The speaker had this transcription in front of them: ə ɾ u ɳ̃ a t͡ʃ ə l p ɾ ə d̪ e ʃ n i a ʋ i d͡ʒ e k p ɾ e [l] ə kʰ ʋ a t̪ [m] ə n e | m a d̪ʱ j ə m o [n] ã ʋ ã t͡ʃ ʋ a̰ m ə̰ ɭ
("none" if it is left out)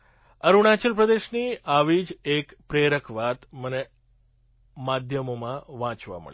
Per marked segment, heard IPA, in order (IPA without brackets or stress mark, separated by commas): ɾ, m, m